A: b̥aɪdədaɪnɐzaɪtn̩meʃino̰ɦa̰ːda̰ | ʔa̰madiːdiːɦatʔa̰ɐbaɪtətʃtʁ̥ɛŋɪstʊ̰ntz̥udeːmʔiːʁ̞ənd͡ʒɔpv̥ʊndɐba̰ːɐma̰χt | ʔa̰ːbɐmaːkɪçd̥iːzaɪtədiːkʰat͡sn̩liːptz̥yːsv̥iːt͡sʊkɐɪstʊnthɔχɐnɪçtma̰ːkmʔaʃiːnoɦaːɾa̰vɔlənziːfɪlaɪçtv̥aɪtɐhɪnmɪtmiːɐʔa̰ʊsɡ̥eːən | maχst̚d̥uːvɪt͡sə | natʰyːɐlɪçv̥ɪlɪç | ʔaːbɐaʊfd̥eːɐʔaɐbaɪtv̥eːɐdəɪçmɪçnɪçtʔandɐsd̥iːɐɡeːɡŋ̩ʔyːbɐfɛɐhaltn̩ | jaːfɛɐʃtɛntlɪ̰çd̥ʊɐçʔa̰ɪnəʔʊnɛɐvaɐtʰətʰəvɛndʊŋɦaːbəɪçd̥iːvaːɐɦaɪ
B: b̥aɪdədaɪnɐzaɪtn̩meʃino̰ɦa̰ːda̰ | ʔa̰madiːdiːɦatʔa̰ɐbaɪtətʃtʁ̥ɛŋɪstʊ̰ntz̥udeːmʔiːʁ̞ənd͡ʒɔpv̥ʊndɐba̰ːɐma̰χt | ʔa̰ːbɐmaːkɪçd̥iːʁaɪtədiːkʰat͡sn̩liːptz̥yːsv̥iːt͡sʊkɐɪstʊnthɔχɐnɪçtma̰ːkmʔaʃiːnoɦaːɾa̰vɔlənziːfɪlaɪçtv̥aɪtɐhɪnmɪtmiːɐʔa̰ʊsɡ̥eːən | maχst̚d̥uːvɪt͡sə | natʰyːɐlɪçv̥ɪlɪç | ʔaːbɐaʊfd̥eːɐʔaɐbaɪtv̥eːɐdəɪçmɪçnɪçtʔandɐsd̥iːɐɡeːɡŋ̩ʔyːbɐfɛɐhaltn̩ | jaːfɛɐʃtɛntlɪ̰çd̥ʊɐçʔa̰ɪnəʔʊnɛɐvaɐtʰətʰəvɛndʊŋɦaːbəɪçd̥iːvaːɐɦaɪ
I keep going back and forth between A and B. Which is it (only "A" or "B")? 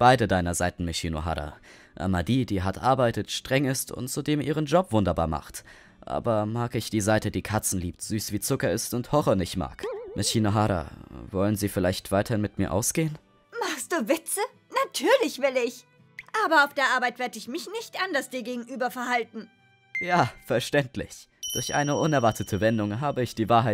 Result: A